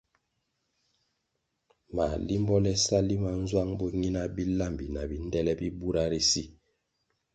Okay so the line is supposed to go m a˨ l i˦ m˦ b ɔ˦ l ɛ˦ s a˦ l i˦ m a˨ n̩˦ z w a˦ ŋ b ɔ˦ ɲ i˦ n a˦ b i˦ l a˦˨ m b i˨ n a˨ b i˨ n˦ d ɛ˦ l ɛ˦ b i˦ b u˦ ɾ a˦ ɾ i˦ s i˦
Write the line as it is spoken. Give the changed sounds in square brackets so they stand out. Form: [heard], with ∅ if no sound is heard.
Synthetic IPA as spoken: m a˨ l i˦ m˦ b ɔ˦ l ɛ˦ s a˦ l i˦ m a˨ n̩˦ z w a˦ ŋ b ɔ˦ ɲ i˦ n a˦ b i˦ l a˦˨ m b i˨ n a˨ b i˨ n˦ d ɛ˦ l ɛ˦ b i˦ b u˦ ɾ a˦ ɾ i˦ s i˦